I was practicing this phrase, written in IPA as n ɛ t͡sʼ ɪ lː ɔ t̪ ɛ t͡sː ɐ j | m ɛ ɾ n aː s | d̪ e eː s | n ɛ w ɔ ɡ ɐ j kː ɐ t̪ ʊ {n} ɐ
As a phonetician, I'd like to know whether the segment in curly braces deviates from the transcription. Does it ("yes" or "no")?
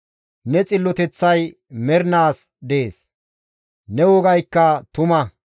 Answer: yes